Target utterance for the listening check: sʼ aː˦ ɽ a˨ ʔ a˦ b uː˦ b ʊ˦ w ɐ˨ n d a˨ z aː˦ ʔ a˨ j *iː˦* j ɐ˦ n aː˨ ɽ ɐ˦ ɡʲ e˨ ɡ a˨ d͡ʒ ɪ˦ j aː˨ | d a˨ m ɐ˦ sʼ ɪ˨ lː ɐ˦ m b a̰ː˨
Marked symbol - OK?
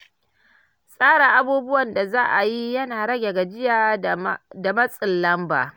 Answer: no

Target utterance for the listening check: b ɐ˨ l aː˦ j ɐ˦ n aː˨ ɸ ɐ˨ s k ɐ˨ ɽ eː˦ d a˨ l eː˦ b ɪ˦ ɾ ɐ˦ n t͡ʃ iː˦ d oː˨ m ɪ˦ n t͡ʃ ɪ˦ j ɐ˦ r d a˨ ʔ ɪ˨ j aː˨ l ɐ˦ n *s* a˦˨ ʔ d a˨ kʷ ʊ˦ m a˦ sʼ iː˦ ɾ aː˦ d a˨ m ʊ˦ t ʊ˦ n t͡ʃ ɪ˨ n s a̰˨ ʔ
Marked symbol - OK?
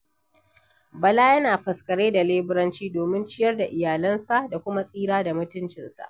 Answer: yes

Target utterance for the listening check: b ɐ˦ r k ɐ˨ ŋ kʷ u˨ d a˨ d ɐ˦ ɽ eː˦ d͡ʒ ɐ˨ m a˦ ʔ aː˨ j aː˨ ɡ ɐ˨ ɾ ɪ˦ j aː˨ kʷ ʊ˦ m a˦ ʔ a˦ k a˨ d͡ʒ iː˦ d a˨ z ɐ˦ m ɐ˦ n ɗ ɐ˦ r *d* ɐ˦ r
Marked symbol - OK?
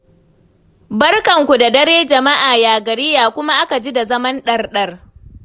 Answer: no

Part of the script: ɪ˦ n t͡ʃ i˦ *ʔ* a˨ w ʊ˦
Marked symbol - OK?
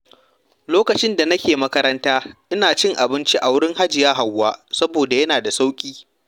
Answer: yes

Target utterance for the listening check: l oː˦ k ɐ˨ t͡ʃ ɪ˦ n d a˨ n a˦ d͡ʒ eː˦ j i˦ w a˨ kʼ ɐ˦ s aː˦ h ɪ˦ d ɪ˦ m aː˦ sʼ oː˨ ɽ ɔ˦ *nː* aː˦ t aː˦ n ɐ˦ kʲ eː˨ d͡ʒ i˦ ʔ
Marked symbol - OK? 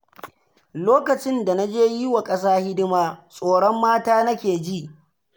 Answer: no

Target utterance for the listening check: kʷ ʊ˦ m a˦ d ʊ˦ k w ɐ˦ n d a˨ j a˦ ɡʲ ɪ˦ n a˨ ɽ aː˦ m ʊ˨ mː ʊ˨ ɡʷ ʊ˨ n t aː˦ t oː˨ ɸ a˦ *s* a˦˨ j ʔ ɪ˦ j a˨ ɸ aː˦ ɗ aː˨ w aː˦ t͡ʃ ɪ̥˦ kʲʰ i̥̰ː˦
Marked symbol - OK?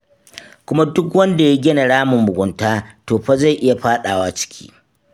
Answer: no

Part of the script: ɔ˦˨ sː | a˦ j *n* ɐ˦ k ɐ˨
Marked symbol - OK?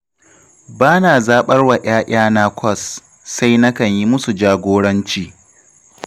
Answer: yes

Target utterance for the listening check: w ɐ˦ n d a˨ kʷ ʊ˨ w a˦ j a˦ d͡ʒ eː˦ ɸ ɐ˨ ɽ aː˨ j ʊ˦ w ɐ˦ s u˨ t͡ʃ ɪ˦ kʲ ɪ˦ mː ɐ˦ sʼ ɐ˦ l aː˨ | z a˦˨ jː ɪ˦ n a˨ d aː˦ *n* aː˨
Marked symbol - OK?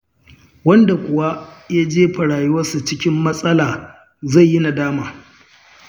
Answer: no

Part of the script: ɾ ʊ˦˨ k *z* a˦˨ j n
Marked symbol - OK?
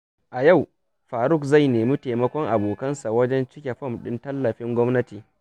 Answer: yes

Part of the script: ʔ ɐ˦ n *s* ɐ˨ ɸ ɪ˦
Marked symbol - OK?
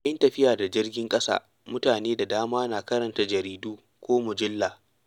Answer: no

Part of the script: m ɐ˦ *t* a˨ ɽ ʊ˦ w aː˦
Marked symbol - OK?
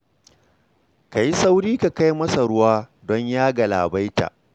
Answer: no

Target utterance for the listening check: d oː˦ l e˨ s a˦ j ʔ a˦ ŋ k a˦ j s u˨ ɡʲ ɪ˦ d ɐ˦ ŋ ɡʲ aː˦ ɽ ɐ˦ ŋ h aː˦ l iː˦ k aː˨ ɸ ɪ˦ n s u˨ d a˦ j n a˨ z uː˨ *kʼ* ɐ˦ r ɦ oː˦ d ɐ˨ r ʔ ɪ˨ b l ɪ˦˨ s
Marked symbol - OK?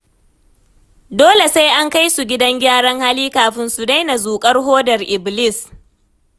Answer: yes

